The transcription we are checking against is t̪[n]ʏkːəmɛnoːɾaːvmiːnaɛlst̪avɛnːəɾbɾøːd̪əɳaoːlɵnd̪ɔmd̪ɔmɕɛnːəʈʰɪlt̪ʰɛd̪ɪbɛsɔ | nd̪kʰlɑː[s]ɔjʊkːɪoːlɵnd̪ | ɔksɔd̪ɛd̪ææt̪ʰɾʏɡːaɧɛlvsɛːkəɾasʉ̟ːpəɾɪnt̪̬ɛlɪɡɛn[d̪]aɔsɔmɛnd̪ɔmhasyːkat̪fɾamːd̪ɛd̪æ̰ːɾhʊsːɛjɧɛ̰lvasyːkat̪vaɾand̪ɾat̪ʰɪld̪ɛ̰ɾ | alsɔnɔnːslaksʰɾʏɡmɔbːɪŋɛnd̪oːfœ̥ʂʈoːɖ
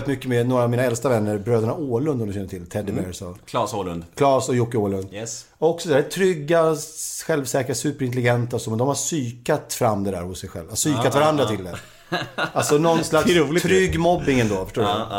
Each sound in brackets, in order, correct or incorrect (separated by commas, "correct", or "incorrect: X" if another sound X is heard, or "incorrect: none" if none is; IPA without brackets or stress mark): incorrect: m, correct, incorrect: t̪